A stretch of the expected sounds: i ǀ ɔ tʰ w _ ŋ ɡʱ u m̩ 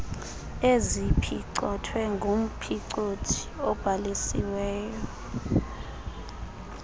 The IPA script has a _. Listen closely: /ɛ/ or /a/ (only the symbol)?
ɛ